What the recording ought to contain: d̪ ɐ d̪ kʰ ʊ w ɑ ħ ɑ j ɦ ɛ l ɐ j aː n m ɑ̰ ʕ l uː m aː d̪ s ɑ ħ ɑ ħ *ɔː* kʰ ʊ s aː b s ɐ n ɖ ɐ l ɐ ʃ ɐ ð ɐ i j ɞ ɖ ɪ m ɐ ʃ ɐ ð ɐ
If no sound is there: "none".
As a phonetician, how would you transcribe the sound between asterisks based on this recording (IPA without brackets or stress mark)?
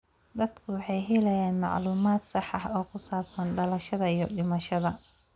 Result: ɔː